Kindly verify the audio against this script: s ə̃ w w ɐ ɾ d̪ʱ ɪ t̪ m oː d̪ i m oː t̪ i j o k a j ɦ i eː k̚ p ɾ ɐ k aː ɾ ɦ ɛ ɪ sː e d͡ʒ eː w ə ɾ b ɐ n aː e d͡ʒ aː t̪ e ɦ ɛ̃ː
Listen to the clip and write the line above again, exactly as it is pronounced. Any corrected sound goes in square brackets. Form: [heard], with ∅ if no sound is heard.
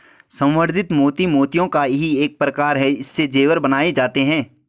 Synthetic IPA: s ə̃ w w [ə] ɾ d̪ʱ ɪ t̪ m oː [t̪] i m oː t̪ i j [õ] k a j ɦ i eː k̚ p ɾ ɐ k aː ɾ ɦ ɛ ɪ sː e d͡ʒ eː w ə ɾ b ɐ n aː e d͡ʒ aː t̪ e ɦ ɛ̃ː